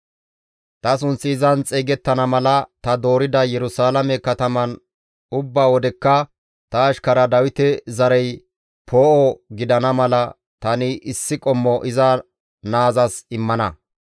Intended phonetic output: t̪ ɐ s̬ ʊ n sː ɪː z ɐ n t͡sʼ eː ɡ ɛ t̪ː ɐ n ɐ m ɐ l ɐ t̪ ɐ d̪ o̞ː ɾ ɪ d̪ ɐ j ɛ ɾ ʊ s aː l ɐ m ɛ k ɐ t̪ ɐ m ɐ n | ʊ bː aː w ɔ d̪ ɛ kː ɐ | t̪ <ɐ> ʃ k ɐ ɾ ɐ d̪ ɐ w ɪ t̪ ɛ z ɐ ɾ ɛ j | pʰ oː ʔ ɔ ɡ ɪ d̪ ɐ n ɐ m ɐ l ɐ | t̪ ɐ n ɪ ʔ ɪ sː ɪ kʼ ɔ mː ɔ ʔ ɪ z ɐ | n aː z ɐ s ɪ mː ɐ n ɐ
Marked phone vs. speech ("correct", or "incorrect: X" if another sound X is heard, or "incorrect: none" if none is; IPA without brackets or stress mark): incorrect: ɐː